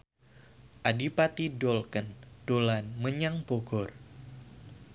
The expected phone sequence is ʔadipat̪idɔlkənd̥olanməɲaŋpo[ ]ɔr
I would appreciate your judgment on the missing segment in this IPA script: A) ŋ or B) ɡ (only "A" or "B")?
B